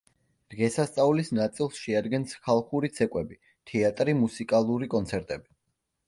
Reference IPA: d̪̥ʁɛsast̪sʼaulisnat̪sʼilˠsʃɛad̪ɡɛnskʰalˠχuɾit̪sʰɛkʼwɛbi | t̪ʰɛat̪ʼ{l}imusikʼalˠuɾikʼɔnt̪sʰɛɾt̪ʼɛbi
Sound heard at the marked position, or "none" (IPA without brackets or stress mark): ɾ